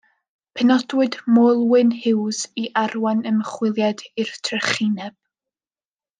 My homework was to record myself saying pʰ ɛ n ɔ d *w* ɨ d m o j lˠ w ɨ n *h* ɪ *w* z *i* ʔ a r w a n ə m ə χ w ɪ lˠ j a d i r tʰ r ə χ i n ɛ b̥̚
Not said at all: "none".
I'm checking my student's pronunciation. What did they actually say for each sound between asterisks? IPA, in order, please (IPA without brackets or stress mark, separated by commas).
w, h, w, i